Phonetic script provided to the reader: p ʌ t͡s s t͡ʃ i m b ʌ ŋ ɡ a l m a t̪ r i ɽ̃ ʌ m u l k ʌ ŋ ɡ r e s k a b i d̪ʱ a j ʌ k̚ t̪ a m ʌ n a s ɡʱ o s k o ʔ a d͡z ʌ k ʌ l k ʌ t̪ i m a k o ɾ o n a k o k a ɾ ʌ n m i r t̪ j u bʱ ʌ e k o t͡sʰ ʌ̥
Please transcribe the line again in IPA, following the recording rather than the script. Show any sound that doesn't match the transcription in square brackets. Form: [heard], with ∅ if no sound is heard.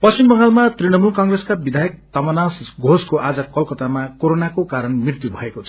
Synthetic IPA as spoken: p ʌ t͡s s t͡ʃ i m b ʌ ŋ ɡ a l m a t̪ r i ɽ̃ ʌ m u l k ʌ ŋ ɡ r e s k a b i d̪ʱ a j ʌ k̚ t̪ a m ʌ n a s ɡʱ o s k o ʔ a d͡z ʌ k ʌ l k ʌ t̪ [a] m a k o ɾ o n a k o k a ɾ ʌ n m i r t̪ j u bʱ ʌ e k o t͡sʰ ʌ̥